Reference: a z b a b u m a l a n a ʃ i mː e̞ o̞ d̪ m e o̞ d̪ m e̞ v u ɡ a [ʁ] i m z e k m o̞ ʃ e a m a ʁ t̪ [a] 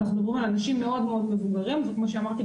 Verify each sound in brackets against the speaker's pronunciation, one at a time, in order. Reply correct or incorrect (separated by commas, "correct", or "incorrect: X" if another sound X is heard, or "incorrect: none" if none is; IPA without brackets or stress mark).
correct, incorrect: i